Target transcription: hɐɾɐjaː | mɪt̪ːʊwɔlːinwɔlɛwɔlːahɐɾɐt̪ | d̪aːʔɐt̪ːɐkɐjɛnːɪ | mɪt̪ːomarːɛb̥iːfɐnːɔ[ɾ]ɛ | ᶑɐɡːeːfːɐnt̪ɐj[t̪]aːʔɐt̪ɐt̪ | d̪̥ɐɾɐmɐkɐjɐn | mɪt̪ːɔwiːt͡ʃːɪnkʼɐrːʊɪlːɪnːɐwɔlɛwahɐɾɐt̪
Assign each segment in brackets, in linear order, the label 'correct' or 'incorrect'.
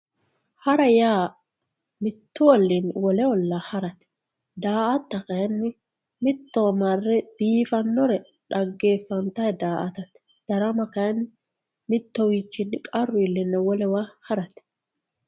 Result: correct, incorrect: d̪

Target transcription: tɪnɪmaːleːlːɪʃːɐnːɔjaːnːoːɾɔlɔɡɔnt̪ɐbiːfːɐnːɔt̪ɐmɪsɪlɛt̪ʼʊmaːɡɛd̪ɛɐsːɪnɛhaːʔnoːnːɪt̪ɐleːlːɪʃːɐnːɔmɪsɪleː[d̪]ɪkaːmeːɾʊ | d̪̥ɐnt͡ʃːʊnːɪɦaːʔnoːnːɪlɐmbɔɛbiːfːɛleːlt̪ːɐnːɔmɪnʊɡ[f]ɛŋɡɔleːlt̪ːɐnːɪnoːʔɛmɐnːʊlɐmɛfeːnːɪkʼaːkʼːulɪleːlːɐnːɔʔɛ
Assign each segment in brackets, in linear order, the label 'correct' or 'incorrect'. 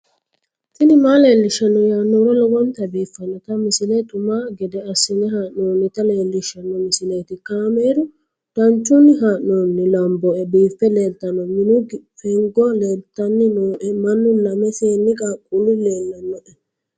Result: incorrect: t̪, correct

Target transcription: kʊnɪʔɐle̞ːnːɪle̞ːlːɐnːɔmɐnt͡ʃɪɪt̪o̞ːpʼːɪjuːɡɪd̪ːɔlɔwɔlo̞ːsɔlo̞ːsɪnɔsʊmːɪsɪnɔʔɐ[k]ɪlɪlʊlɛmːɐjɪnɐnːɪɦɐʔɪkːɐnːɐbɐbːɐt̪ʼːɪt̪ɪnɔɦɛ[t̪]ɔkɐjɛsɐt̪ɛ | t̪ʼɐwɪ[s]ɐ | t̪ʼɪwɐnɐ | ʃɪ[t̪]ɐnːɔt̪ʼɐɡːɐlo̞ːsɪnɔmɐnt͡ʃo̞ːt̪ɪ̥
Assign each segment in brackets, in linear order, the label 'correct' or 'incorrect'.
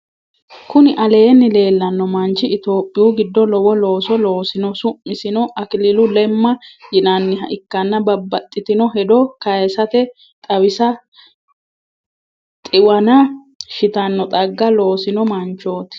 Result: correct, incorrect: d̪, correct, correct

